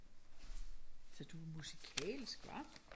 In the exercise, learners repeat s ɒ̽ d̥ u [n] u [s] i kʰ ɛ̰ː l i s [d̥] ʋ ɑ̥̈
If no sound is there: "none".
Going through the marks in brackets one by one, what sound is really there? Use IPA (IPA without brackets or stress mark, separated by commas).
m, s, ɡ̥